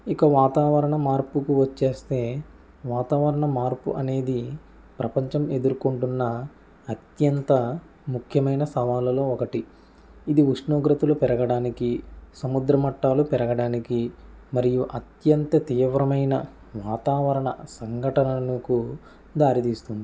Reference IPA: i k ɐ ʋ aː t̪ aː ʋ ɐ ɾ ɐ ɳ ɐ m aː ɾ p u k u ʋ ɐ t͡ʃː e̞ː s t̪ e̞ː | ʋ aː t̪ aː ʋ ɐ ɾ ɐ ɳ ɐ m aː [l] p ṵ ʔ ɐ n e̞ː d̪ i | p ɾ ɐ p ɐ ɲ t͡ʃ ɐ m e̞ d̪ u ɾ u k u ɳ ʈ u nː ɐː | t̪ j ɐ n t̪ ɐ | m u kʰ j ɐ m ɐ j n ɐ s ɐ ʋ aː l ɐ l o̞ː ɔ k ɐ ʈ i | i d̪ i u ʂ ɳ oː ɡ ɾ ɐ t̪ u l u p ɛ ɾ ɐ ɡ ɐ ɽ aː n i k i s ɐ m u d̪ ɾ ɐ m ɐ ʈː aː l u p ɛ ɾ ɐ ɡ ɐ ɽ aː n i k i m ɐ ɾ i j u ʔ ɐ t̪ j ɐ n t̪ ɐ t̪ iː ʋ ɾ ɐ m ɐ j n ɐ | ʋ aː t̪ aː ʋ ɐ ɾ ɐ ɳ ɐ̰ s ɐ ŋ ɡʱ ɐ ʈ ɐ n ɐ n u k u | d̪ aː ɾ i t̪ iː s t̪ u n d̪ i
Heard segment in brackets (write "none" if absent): ɾ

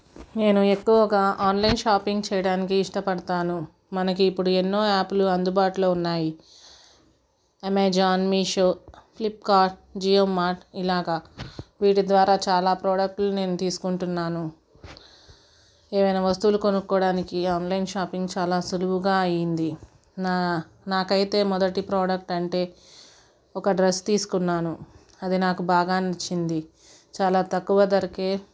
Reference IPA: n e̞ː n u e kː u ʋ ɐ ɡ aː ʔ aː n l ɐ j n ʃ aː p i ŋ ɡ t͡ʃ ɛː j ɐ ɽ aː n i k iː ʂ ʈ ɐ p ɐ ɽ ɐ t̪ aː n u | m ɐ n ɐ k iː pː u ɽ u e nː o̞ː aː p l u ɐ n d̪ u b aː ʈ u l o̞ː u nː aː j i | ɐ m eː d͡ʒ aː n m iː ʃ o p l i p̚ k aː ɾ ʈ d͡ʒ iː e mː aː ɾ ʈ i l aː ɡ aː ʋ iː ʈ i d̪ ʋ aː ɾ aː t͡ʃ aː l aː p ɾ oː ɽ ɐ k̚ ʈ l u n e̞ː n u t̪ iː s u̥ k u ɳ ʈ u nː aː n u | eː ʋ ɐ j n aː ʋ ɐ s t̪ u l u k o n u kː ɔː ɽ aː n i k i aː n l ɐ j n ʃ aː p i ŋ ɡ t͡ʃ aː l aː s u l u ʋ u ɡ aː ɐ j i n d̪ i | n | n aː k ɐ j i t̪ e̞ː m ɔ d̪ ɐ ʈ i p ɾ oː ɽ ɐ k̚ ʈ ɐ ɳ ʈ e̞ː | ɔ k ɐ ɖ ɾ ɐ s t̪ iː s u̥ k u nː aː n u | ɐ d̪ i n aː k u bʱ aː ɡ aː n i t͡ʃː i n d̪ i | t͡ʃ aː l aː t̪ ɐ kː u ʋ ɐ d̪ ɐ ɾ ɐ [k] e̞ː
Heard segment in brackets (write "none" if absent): k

